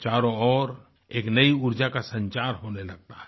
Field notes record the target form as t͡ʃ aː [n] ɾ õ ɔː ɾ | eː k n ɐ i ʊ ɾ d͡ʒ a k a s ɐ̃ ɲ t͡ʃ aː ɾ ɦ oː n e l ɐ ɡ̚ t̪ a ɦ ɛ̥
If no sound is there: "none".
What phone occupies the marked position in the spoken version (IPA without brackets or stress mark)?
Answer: none